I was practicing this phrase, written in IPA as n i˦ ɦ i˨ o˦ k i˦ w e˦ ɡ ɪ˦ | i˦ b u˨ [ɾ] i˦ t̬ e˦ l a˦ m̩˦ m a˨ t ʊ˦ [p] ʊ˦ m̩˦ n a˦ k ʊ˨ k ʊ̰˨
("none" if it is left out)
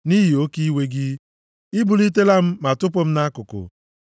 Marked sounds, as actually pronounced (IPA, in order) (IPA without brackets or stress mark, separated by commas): l, p